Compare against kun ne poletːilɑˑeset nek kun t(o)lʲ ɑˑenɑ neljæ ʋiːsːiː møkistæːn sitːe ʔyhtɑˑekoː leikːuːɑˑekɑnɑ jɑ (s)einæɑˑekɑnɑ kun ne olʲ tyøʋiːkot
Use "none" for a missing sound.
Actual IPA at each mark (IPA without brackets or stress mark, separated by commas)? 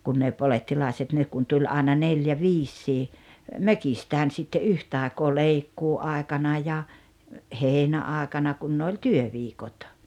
u, h